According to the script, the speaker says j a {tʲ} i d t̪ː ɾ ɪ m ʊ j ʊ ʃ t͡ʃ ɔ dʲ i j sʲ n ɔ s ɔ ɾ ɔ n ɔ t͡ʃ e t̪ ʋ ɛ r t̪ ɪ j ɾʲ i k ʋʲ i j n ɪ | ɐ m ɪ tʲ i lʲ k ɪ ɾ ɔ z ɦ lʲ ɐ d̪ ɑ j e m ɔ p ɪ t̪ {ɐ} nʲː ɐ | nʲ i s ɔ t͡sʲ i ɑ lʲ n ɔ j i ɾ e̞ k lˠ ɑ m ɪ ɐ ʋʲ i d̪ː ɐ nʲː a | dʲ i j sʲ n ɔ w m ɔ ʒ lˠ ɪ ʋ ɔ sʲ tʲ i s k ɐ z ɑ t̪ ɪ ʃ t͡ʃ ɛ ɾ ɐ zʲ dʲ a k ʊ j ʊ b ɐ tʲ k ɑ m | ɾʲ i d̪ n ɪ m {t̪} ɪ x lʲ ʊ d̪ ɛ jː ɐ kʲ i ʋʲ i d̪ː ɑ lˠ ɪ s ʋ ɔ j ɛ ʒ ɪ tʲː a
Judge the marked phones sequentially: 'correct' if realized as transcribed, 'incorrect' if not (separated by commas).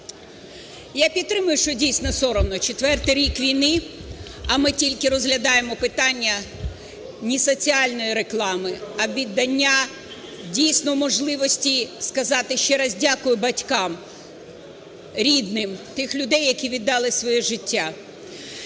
incorrect, incorrect, correct